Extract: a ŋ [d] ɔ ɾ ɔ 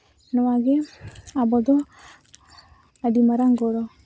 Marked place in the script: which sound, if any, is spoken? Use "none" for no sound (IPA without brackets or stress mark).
ɡ